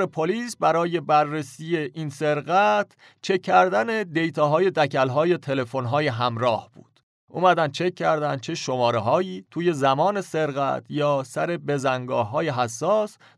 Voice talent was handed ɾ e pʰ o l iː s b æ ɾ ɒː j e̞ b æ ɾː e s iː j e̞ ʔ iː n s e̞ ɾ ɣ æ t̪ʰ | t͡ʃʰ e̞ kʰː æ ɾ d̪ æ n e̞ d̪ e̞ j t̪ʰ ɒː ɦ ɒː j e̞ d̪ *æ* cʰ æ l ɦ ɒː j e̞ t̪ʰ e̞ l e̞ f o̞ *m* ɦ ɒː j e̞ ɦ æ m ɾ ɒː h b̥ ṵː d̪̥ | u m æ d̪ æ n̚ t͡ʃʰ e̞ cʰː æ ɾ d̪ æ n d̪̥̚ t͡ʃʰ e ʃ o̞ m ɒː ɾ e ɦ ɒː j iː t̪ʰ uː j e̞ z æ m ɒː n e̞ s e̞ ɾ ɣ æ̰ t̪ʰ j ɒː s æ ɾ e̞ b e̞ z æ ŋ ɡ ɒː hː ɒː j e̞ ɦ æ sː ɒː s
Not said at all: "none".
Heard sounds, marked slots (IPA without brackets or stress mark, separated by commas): æ, n